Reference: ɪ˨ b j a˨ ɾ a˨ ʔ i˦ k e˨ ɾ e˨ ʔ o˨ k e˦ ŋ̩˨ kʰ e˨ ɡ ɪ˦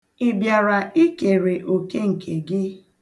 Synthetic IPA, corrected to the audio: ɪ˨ b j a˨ ɾ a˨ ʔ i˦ k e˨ ɾ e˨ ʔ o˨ k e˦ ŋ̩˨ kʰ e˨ ɡ ɪ˦